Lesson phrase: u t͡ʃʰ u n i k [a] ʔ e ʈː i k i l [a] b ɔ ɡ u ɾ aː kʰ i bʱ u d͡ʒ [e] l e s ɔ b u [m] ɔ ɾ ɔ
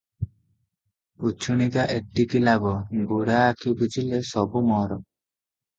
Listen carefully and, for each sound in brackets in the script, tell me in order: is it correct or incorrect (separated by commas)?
correct, correct, incorrect, correct